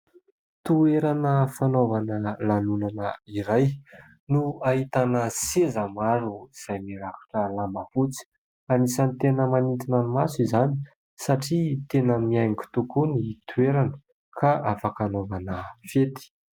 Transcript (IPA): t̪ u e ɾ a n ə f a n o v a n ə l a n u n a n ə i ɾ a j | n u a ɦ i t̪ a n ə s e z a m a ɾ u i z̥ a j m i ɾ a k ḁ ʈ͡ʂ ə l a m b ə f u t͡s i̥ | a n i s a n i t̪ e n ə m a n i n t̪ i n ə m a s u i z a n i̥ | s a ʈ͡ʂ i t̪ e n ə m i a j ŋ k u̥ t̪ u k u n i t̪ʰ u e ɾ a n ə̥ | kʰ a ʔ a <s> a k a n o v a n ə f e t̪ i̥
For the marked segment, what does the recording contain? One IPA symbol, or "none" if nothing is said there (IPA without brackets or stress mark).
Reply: f